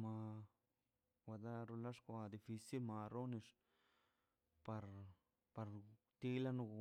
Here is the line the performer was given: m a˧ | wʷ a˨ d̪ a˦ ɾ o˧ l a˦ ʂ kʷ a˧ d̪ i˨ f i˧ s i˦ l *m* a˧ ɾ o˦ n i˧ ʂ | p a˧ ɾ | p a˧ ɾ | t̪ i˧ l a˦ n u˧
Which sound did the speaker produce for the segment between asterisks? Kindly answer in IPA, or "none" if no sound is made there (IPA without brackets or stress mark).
m